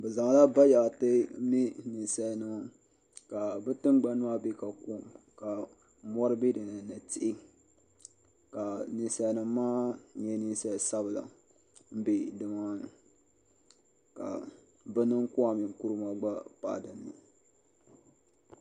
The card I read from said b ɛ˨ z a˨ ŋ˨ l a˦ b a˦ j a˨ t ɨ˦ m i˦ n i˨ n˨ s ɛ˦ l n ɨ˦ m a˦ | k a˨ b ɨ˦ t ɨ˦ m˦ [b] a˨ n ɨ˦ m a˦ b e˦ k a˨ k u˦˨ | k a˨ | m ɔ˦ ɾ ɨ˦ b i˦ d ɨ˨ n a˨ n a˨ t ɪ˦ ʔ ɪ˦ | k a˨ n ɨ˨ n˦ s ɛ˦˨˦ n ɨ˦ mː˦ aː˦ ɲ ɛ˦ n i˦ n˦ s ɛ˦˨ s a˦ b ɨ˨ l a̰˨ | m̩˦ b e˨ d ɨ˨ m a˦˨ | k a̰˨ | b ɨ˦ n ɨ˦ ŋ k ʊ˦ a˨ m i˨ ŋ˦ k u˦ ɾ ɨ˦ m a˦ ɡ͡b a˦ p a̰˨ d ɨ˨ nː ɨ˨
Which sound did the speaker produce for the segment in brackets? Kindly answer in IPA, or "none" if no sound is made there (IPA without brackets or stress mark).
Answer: ɡ͡b